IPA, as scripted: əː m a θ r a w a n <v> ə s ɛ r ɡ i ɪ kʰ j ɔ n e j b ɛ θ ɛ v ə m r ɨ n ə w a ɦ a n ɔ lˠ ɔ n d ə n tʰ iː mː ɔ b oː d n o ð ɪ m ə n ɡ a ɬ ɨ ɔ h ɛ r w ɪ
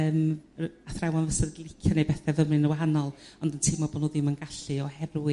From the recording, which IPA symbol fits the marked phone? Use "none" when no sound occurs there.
v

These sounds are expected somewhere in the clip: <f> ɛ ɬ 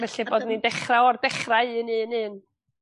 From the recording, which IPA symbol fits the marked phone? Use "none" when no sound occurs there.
v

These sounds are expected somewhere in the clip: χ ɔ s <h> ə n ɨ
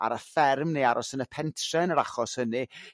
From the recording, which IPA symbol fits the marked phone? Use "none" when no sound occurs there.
h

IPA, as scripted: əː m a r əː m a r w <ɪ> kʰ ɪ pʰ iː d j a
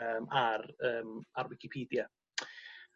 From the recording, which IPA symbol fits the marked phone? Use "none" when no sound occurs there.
ɪ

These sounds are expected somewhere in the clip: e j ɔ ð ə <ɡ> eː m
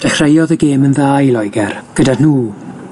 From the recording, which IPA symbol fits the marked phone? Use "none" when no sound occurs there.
ɡ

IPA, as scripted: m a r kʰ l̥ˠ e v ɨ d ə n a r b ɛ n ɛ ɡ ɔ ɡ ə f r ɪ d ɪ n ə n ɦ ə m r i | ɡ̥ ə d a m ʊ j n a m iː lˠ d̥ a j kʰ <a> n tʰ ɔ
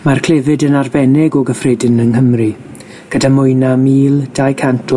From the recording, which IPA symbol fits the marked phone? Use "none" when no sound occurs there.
a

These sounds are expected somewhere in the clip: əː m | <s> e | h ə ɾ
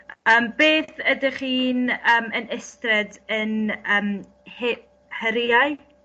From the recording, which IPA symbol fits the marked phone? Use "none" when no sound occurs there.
h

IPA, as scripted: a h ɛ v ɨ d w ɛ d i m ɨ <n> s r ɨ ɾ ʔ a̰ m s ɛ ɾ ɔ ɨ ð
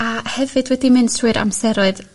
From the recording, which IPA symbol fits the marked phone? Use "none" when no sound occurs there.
n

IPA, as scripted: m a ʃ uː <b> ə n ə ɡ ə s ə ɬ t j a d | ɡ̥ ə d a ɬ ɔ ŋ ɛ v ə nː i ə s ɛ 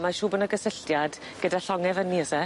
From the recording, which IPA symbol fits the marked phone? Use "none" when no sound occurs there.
b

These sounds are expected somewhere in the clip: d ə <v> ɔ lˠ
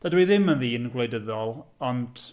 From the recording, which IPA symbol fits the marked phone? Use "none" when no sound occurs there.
ð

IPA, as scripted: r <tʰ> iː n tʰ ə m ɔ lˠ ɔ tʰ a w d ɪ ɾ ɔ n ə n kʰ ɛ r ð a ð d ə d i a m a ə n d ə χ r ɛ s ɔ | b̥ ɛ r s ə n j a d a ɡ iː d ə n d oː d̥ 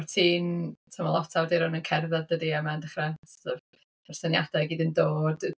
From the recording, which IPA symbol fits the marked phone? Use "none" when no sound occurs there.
tʰ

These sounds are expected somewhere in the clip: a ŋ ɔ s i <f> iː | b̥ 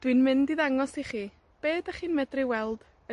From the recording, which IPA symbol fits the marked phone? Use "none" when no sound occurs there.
χ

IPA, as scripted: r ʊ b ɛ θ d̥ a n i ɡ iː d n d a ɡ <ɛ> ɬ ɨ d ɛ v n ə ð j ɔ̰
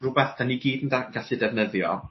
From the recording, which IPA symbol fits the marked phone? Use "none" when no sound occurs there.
a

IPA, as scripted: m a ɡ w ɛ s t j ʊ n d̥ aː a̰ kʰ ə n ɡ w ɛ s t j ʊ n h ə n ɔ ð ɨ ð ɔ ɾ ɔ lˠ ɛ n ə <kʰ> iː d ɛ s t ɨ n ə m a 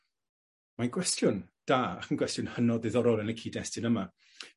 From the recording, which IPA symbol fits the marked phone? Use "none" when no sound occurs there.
kʰ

